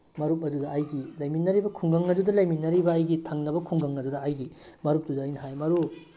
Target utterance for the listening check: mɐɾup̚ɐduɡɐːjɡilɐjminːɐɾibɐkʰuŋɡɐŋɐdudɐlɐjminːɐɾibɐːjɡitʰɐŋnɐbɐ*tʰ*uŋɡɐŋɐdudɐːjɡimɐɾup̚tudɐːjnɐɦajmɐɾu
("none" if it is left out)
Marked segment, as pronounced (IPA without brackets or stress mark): kʰ